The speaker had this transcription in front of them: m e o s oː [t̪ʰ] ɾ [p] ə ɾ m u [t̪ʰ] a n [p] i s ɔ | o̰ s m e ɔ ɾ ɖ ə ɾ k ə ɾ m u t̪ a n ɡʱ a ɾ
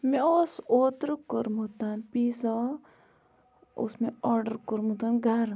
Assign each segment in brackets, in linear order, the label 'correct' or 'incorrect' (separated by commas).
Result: incorrect, incorrect, incorrect, correct